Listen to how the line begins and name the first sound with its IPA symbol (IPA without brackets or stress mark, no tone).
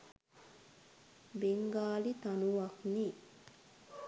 b